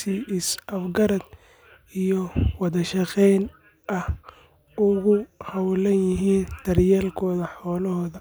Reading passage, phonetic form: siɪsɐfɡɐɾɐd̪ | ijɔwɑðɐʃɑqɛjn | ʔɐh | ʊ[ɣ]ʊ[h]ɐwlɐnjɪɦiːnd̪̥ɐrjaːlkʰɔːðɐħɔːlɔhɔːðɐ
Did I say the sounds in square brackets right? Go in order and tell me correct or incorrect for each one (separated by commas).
correct, correct